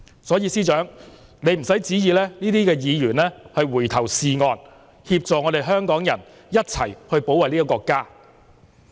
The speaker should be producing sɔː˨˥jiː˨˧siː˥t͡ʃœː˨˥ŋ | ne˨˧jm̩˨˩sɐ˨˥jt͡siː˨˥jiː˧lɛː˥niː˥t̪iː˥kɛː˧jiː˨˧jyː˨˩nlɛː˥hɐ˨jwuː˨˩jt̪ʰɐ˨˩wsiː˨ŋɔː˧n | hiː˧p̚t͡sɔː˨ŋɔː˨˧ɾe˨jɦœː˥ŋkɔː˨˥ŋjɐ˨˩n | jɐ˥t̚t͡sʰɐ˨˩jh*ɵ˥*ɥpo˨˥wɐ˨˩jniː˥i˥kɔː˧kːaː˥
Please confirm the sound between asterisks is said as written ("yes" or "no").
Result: no